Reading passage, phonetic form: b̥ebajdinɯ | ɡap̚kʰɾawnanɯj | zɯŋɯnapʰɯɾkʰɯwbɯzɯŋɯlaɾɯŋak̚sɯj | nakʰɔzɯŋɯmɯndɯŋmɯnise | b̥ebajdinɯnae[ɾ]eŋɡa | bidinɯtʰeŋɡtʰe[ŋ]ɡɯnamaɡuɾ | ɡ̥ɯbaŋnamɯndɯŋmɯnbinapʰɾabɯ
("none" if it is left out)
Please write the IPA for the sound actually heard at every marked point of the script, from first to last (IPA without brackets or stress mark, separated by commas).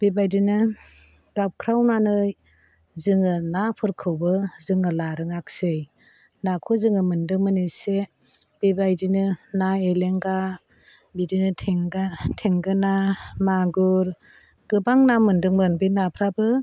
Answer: l, ŋ